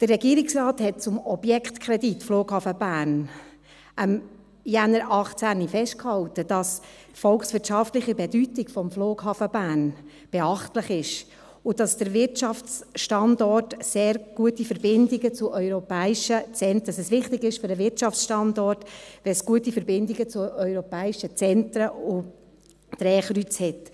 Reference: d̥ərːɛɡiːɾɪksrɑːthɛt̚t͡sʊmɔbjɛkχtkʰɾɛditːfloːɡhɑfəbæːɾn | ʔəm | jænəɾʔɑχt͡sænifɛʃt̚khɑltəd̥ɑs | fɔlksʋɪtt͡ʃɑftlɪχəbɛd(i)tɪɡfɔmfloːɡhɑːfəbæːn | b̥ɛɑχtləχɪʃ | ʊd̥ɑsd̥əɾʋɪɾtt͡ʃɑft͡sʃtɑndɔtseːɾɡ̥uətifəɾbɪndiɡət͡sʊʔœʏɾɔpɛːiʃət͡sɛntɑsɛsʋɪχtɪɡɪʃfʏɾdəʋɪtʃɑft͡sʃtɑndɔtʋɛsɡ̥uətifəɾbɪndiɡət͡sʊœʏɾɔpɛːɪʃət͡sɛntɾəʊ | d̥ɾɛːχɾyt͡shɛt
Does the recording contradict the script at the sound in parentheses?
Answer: yes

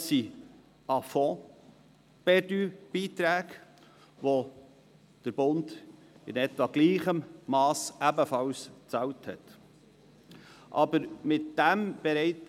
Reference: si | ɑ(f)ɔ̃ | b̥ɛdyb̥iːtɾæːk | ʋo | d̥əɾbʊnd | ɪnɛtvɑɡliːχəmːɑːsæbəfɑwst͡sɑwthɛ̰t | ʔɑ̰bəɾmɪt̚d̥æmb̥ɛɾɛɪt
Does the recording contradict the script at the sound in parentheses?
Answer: no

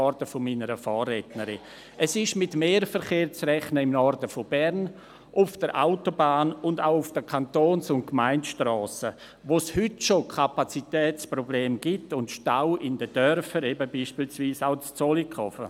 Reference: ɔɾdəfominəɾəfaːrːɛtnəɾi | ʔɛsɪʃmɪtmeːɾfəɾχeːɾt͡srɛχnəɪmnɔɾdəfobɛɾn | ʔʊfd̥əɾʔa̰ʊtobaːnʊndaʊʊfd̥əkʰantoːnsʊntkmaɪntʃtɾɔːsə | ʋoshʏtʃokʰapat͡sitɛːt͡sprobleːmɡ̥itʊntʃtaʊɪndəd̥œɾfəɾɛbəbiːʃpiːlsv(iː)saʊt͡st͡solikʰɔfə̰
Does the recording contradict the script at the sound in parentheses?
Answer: no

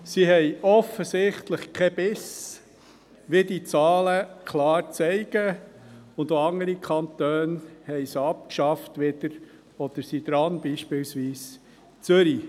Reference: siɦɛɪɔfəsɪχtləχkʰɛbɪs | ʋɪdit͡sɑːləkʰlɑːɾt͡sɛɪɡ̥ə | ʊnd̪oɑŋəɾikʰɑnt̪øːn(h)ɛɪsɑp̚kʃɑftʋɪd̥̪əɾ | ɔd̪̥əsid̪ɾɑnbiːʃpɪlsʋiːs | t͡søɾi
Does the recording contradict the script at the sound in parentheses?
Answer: no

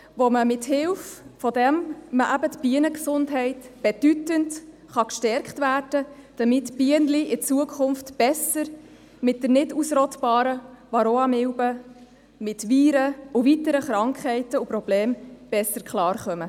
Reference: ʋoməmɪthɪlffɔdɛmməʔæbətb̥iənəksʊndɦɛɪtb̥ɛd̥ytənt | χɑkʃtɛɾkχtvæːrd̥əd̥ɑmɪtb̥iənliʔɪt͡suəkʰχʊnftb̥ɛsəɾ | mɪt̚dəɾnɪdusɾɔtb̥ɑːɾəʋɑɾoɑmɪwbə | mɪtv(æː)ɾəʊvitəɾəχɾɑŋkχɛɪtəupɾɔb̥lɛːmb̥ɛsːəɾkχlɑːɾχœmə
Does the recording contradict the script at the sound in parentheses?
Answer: yes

